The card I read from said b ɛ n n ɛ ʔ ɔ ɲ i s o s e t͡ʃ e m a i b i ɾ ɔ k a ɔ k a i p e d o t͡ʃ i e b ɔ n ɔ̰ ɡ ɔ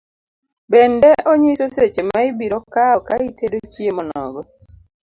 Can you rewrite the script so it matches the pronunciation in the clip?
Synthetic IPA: b ɛ n d ɛ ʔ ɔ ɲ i s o s e t͡ʃ e m a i b i ɾ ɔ k a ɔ k a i t e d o t͡ʃ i e m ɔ n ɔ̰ ɡ ɔ

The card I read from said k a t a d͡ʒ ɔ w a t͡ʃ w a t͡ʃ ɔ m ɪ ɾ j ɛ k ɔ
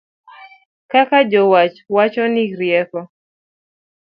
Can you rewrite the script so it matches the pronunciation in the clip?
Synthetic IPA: k a k a d͡ʒ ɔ w a t͡ʃ w a t͡ʃ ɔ n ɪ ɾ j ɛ k ɔ

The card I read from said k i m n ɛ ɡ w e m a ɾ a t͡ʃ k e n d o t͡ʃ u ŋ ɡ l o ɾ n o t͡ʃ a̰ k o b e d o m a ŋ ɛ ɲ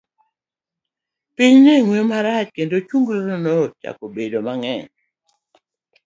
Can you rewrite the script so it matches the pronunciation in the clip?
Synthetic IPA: p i ɲ n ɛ ŋ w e m a ɾ a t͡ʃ k e n d o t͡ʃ u ŋ ɡ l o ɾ n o t͡ʃ a̰ k o b e d o m a ŋ ɛ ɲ

